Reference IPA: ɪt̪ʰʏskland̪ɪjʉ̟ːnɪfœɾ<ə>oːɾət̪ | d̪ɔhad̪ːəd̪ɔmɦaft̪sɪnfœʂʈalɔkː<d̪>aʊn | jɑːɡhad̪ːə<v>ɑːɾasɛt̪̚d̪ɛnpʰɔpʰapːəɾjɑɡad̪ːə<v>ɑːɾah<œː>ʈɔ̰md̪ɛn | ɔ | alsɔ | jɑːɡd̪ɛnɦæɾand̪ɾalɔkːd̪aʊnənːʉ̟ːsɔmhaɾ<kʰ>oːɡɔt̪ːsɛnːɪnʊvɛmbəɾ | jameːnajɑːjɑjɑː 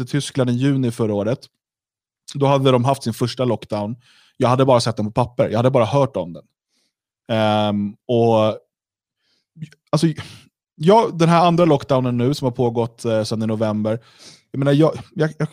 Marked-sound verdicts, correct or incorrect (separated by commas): incorrect, correct, incorrect, incorrect, correct, incorrect